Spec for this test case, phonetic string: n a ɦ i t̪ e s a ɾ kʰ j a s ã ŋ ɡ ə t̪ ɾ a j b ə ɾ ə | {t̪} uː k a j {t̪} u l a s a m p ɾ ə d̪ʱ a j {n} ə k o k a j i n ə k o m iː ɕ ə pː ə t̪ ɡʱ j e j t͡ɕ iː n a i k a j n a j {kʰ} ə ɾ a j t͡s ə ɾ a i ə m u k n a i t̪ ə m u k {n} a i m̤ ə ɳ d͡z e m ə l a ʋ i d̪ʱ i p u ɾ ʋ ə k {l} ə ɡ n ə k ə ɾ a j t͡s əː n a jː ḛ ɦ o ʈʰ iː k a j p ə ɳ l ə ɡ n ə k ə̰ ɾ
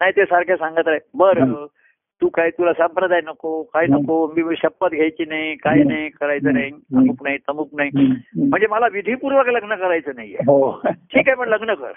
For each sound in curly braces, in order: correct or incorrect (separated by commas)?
correct, correct, correct, incorrect, correct, correct